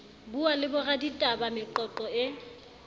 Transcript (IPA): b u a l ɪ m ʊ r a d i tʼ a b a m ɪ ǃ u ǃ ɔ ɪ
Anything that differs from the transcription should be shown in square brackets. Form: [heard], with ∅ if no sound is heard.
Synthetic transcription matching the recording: b u a l ɪ [b] ʊ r a d i tʼ a b a m ɪ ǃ [ɔ] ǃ ɔ ɪ